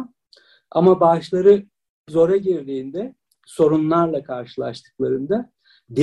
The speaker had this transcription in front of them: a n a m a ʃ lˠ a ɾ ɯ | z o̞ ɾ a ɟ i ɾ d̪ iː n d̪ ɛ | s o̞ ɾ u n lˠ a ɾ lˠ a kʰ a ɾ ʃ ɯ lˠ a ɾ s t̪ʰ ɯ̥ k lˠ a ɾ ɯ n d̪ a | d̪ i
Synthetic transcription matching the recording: a m a b a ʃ lˠ a ɾ ɯ | z o̞ ɾ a ɟ i ɾ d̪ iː n d̪ ɛ | s o̞ ɾ u n lˠ a ɾ lˠ a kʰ a ɾ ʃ ɯ lˠ a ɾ ʃ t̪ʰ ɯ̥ k lˠ a ɾ ɯ n d̪ a | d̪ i